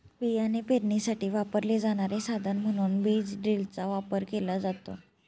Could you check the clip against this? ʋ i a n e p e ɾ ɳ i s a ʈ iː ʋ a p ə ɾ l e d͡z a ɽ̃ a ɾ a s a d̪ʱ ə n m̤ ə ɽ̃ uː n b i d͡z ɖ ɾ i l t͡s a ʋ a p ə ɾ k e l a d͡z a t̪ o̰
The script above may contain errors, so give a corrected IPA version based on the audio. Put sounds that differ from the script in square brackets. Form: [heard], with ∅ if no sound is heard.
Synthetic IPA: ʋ i a n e p e ɾ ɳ i s a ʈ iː ʋ a p ə ɾ l e d͡z a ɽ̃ a ɾ [e] s a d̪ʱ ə n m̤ ə ɽ̃ uː n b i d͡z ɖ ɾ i l t͡s a ʋ a p ə ɾ k e l a d͡z a t̪ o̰